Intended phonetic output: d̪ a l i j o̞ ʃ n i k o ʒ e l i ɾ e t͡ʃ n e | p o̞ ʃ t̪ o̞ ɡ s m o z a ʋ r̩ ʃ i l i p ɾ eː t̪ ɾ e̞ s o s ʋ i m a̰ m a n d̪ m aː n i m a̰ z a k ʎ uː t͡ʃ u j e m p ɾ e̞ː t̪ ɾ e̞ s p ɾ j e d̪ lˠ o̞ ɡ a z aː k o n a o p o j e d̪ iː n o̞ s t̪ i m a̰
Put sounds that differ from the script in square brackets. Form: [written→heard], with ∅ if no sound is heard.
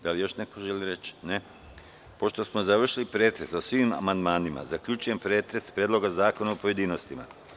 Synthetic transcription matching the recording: d̪ a l i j o̞ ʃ n [i→e] k o ʒ e l i ɾ e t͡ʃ n e | p o̞ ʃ t̪ o̞ [ɡ→∅] s m o z a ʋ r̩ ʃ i l i p ɾ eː t̪ ɾ e̞ s o s ʋ i m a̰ m a n d̪ m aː n i m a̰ z a k ʎ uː t͡ʃ u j e m p ɾ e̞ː t̪ ɾ e̞ s p ɾ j e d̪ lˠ o̞ ɡ a z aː k o n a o p o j e d̪ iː n o̞ s t̪ i m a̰